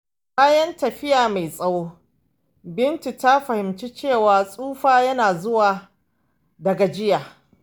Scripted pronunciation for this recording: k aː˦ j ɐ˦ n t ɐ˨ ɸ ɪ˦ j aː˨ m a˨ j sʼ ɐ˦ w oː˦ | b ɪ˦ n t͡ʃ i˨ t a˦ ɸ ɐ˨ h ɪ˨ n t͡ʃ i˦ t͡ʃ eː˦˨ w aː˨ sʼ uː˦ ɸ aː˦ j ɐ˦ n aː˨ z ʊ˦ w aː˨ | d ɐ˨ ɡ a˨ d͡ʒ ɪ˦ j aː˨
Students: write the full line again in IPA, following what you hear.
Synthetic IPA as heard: k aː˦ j ɐ˦ n t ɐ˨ ɸ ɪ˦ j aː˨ m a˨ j sʼ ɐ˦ w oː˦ | b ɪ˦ n t͡ʃ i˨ t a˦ ɸ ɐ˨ h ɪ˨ m t͡ʃ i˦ t͡ʃ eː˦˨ w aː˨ sʼ uː˦ ɸ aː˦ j ɐ˦ n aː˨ z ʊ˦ w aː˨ | d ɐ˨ ɡ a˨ d͡ʒ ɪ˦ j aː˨